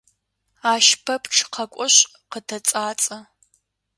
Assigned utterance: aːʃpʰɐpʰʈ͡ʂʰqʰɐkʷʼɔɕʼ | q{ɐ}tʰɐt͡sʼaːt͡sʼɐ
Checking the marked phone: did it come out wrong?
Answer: yes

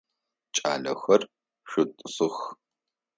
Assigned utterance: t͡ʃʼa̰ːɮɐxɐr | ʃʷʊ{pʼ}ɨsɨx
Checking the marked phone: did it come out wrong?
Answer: yes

